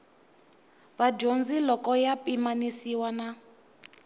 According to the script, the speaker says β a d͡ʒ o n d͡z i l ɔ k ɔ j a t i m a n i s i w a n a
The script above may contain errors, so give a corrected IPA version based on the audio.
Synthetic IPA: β a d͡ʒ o n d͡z i l ɔ k ɔ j a p i m a n i s i w a n a